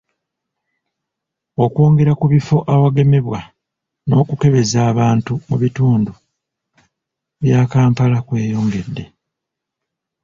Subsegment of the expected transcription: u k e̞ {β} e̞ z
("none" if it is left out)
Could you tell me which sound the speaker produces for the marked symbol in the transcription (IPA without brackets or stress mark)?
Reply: β